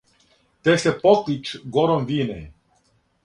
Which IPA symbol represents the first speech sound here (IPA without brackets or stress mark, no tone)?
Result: t̪